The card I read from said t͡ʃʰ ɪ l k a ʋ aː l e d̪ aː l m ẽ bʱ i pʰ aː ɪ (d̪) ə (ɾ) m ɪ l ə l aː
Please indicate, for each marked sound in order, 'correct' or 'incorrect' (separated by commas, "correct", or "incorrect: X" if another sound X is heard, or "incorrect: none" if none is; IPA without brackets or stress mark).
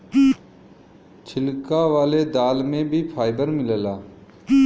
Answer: correct, correct